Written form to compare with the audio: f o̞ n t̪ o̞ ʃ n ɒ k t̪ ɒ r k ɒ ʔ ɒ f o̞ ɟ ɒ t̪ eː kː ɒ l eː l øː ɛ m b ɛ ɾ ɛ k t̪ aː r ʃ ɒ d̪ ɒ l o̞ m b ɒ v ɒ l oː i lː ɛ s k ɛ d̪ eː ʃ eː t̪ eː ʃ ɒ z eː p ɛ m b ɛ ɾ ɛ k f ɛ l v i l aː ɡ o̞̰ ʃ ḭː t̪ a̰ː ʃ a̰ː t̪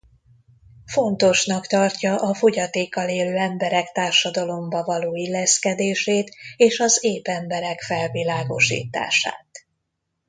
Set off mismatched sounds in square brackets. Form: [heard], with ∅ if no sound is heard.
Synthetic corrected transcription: f o̞ n t̪ o̞ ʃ n ɒ k t̪ ɒ r [c] ɒ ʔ ɒ f o̞ ɟ ɒ t̪ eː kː ɒ l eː l øː ɛ m b ɛ ɾ ɛ k t̪ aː r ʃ ɒ d̪ ɒ l o̞ m b ɒ v ɒ l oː i lː ɛ s k ɛ d̪ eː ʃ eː t̪ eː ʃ ɒ z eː p ɛ m b ɛ ɾ ɛ k f ɛ l v i l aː ɡ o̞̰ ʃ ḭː t̪ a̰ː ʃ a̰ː t̪